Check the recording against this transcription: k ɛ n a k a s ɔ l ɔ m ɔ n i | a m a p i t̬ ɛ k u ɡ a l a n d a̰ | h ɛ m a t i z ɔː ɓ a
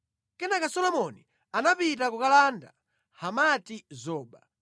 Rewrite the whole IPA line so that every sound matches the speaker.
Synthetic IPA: k ɛ n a k a s ɔ l ɔ m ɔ n i | a n a p i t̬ a k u k a l a n d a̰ | h a m a t i z ɔː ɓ a